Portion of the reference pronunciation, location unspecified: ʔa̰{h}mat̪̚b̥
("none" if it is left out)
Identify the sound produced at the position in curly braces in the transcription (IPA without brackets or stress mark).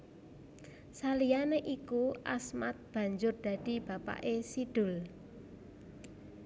s